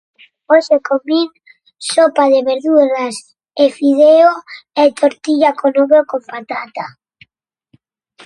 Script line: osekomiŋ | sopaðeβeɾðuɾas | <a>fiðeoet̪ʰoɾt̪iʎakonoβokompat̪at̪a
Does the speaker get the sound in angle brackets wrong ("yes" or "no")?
yes